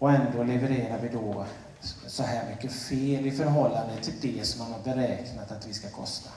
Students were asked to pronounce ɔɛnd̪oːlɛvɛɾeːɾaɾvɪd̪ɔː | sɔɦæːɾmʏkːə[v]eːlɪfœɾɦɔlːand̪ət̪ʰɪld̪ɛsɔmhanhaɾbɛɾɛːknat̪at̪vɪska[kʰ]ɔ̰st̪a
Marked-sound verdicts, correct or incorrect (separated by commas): incorrect, correct